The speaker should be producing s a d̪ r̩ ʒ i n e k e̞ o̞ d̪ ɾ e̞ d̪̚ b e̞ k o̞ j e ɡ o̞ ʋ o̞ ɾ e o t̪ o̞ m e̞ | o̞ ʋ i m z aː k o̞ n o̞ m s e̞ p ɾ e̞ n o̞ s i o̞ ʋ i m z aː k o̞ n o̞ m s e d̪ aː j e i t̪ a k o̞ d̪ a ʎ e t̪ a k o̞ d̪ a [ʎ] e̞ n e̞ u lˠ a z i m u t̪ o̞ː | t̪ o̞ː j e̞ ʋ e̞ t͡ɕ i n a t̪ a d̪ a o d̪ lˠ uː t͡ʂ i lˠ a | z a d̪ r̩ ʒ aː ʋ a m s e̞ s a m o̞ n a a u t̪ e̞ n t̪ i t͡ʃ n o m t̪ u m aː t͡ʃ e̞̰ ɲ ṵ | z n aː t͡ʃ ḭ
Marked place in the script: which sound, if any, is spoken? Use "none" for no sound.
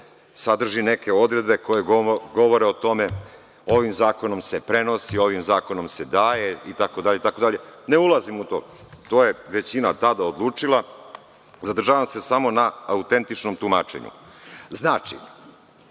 ʎ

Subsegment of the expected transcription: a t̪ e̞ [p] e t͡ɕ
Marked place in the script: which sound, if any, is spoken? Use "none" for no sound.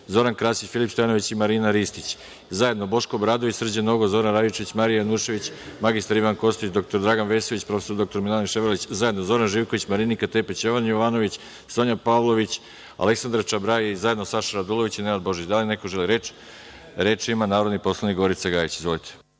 p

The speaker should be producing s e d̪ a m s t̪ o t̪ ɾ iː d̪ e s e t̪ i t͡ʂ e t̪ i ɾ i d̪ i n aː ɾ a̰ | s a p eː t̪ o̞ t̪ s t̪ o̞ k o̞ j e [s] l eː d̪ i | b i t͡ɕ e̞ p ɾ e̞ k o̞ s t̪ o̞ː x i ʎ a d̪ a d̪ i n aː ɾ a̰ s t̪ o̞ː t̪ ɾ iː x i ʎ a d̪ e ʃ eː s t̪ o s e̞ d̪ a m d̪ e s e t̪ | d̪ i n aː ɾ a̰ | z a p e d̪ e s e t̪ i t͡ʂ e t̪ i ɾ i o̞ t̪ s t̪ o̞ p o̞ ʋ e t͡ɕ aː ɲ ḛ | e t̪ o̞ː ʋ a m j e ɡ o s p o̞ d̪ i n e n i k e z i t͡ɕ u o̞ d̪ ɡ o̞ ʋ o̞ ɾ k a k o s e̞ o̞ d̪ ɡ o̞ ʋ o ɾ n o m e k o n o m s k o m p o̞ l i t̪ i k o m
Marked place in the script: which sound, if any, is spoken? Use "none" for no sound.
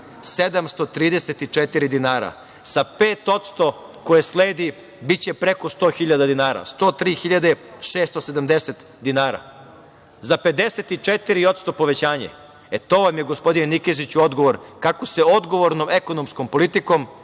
s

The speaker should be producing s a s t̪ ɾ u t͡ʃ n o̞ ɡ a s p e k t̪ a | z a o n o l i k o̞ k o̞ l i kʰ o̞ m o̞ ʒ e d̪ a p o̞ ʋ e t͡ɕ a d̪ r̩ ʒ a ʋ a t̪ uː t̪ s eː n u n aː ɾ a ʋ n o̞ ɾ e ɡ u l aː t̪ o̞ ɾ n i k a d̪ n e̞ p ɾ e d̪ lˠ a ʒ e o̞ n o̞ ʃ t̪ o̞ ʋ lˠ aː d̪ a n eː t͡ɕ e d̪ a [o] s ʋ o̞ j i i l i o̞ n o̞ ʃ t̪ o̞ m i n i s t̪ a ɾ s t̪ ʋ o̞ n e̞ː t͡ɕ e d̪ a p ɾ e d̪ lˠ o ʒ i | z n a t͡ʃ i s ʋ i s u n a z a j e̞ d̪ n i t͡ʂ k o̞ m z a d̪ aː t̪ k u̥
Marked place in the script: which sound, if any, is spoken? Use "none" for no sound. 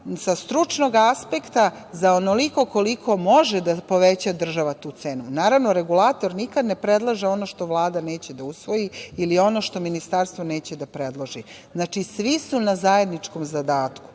u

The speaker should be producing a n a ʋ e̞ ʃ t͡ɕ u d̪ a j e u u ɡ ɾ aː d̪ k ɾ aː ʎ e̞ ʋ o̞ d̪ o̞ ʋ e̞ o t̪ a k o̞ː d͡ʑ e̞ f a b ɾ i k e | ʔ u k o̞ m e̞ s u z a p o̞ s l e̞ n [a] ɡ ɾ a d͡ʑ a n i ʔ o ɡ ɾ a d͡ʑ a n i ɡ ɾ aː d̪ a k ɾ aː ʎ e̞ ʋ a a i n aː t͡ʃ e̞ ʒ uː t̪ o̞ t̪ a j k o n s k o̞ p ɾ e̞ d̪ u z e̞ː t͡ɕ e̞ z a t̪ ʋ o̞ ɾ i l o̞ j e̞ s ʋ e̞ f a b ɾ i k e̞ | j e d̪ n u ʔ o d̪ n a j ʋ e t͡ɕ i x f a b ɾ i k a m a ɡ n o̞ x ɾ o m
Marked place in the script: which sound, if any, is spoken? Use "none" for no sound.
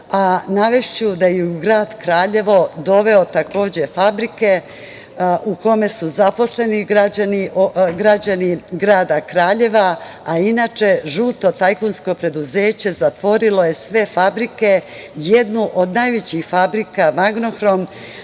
i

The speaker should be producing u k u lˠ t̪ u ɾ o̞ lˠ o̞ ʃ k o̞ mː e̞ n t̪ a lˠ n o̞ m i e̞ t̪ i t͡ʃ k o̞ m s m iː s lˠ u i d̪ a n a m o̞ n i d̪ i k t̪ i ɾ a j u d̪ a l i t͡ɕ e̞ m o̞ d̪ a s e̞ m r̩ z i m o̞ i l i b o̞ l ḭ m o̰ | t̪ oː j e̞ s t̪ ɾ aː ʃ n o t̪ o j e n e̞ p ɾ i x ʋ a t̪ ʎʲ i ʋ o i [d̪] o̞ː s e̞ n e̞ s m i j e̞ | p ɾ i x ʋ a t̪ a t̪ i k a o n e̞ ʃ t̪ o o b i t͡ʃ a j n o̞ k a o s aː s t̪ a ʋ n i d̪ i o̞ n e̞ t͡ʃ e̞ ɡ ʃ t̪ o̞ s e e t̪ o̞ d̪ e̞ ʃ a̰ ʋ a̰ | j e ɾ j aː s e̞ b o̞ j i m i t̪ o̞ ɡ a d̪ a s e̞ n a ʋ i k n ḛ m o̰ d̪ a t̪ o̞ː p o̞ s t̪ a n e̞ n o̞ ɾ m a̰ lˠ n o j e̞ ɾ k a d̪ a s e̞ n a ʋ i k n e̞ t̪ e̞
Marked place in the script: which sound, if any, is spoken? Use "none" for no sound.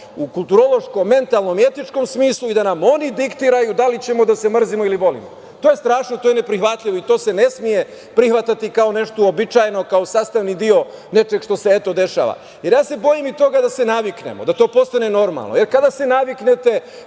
t̪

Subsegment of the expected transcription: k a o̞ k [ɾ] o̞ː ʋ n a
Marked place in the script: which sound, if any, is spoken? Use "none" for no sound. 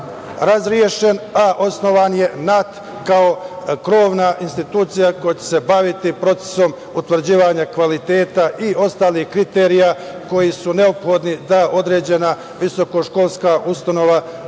ɾ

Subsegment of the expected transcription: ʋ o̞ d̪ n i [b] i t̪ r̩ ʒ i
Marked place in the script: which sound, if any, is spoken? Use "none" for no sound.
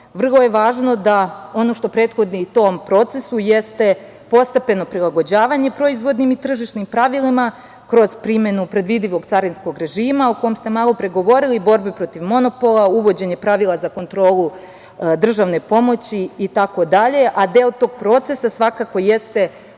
m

